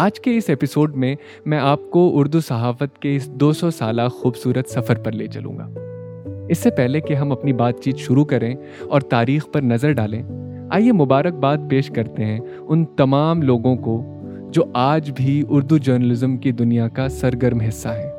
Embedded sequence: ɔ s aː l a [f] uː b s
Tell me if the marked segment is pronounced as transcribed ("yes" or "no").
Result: no